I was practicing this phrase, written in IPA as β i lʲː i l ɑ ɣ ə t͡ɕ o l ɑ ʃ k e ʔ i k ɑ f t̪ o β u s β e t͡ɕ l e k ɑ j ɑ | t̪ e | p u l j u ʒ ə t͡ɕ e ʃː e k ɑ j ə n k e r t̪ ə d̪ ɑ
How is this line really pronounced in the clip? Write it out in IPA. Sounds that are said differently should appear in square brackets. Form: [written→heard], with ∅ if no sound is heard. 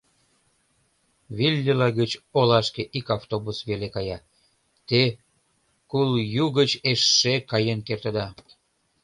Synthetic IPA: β i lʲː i l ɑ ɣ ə t͡ɕ o l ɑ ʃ k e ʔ i k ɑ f t̪ o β u s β e [t͡ɕ→∅] l e k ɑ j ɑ | t̪ e | [p→k] u l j u [ʒ→ɣ] ə t͡ɕ e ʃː e k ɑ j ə n k e r t̪ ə d̪ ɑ